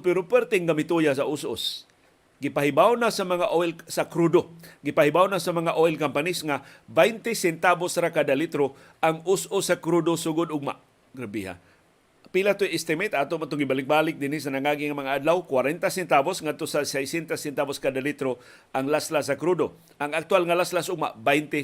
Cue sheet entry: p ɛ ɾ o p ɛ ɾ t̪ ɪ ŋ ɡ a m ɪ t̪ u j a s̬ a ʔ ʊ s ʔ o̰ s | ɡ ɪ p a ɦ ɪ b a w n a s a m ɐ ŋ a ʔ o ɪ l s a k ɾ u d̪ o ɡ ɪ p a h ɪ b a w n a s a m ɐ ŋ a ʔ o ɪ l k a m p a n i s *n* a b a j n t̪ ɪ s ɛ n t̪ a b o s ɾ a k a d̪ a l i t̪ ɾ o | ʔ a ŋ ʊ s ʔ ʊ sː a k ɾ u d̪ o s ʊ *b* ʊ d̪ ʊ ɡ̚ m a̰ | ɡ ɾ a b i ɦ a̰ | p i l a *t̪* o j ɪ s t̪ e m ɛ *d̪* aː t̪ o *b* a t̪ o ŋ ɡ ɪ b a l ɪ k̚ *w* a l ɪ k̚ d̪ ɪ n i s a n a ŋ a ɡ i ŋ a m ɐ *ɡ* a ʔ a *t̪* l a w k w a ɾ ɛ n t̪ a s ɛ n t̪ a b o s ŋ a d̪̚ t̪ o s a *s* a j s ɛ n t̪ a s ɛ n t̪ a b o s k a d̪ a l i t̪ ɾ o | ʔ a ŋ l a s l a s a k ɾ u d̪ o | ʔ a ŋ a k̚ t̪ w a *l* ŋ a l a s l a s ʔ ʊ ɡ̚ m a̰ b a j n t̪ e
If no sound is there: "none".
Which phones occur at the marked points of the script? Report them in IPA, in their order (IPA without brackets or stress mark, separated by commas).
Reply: ŋ, ɡ, t̪, t̪, m, b, ŋ, d̪, s, l